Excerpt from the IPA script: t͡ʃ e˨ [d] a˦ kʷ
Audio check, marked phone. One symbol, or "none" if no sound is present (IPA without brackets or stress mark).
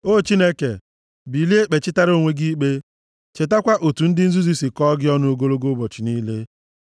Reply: t